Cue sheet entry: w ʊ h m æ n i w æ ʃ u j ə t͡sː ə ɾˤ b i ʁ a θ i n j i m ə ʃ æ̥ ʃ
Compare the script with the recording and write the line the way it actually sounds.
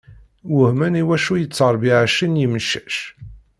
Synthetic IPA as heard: w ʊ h m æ n i w æ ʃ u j ə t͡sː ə ɾˤ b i ʕ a ʃ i n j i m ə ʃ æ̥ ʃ